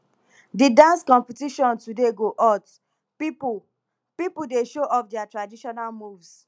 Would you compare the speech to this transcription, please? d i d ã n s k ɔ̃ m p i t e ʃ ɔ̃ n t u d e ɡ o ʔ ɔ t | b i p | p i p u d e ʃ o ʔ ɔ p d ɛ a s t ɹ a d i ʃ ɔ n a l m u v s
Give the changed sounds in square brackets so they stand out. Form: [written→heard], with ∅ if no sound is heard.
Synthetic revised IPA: d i d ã n s k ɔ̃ m p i t [e→i] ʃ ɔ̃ n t u d e ɡ o ʔ ɔ t | [b→p] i p | p i p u d e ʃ o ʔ ɔ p d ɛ a [s→∅] t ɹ a d i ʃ ɔ n a l m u v s